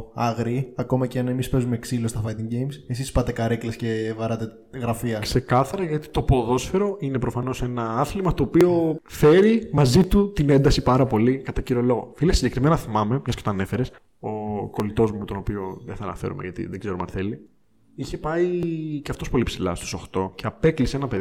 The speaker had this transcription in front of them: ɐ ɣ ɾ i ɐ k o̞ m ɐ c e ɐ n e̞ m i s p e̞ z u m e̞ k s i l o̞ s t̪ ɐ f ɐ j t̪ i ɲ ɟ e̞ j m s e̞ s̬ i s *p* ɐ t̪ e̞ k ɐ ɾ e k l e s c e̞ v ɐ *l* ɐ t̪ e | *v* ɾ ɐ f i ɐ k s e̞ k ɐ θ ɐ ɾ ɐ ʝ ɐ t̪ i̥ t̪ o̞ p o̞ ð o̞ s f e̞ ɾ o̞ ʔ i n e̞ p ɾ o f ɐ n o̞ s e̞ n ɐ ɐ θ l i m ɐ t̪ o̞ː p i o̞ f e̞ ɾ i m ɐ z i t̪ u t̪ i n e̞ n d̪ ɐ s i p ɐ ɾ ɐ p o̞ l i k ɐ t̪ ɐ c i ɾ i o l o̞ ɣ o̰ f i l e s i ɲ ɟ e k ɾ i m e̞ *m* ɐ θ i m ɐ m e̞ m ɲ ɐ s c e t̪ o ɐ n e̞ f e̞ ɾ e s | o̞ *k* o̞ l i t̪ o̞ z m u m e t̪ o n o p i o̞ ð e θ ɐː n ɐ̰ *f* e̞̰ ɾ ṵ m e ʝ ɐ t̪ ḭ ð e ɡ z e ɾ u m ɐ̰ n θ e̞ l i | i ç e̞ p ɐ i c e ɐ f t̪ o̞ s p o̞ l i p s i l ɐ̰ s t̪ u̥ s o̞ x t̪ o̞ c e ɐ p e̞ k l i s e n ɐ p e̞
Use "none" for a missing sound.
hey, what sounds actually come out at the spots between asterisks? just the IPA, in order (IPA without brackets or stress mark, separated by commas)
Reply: p, ɾ, ɣ, n, k, f